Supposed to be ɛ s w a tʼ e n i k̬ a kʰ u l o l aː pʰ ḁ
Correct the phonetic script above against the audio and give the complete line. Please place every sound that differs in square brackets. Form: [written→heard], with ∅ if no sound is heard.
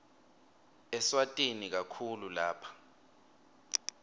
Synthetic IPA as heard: ɛ s w a tʼ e n i k̬ a kʰ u l [o→u] l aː pʰ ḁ